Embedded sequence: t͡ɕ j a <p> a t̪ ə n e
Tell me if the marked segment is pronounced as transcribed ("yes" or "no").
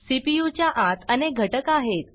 no